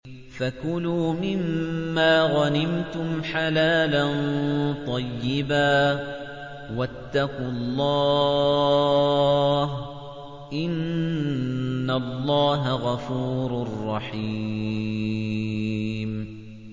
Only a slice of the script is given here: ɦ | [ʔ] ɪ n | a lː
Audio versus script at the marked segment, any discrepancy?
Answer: no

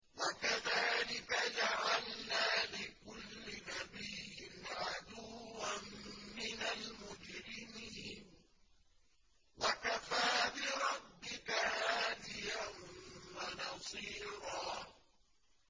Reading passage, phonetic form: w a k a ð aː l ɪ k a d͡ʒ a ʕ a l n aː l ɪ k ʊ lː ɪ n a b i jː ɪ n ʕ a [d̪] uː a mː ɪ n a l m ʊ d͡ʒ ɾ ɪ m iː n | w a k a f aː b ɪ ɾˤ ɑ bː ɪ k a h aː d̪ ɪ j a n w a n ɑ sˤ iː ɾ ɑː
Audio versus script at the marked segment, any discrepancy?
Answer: no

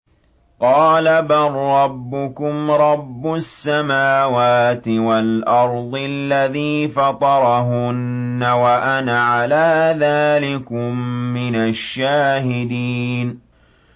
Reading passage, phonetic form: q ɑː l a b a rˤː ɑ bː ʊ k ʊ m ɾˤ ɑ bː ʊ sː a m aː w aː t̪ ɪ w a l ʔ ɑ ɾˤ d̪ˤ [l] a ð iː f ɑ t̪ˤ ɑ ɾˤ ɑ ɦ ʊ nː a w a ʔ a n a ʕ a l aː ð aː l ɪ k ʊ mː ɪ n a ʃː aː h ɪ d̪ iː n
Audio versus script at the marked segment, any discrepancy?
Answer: yes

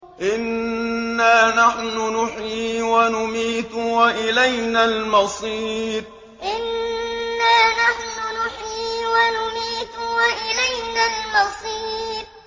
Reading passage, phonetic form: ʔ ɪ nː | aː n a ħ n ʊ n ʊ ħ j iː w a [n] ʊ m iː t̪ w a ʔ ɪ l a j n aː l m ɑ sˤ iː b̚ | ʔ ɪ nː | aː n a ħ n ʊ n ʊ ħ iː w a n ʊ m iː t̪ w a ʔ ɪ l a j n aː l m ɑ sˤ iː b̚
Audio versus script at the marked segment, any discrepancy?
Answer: no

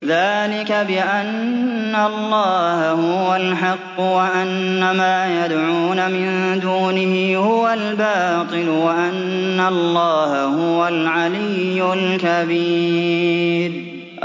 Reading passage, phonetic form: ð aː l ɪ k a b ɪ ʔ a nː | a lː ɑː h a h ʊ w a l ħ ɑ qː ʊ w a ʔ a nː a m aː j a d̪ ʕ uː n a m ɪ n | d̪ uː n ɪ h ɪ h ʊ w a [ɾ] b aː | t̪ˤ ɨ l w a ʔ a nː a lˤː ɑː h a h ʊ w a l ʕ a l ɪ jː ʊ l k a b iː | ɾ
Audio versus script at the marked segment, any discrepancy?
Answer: yes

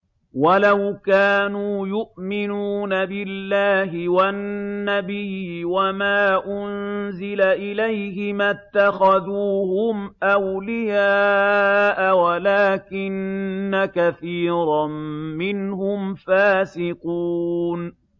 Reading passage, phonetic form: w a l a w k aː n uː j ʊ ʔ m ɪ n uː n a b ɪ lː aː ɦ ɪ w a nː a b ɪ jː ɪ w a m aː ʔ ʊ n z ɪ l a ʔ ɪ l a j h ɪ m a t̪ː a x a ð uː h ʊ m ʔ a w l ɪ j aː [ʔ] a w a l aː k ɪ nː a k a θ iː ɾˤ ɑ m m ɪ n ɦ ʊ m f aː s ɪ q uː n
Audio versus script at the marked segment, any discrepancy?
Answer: no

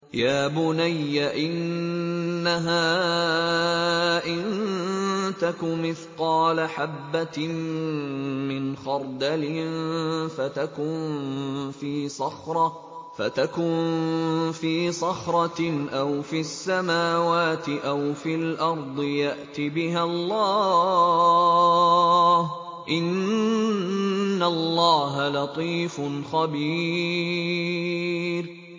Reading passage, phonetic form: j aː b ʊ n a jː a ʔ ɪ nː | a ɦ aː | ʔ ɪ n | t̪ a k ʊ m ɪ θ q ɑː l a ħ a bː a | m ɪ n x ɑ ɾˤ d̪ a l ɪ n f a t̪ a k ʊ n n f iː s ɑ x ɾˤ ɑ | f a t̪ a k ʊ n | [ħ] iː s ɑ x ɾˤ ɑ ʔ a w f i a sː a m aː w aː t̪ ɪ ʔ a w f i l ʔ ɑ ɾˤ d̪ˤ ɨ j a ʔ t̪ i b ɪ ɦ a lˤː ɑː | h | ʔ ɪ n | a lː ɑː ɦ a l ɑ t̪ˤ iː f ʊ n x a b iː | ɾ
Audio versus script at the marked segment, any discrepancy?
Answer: yes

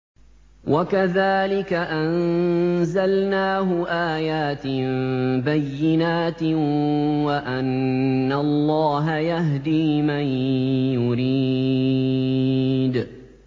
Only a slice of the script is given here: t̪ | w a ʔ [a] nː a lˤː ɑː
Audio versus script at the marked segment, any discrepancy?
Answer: no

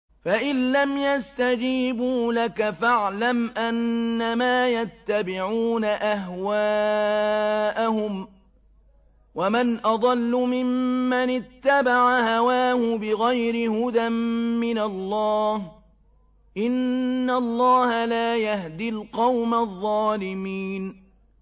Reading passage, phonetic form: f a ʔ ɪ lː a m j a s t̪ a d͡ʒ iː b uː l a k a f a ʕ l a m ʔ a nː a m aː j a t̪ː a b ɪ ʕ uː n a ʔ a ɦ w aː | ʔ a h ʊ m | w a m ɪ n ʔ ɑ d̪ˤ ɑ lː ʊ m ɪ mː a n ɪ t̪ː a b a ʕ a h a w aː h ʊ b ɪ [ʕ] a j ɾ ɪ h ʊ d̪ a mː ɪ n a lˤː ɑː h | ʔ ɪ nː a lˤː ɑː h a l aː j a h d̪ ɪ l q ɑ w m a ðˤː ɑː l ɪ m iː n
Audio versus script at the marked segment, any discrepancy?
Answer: yes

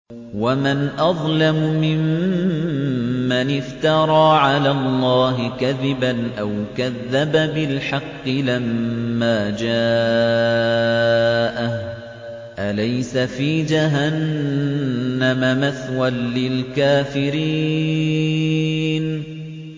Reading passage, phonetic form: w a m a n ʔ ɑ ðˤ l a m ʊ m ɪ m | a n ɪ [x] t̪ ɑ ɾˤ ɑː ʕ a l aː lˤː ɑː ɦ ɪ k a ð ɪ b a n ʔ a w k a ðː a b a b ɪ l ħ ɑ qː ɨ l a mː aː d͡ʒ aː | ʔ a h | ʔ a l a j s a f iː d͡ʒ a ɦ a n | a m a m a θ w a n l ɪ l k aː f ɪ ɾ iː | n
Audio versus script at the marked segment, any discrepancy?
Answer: yes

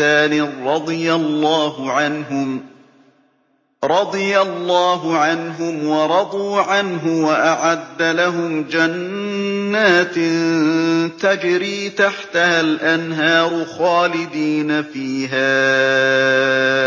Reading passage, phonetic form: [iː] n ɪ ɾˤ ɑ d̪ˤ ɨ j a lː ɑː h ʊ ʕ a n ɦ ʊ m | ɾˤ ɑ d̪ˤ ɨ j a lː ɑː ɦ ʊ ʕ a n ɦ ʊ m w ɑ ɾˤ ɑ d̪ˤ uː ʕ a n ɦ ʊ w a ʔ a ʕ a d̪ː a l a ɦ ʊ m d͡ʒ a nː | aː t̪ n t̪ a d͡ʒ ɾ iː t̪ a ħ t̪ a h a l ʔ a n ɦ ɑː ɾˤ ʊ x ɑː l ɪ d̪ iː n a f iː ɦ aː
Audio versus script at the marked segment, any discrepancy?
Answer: yes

